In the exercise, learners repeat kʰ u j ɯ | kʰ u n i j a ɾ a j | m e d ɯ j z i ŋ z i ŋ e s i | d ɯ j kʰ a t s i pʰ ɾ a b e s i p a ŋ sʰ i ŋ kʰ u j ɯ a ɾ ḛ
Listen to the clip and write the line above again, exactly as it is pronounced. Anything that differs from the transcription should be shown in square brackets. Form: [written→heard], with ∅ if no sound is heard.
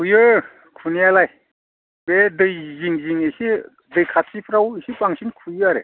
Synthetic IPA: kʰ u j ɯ | kʰ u n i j a [ɾ→l] a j | [m→b] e d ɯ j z i ŋ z i ŋ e s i | d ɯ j kʰ a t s i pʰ ɾ a [b→w] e s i p a ŋ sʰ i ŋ kʰ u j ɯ a ɾ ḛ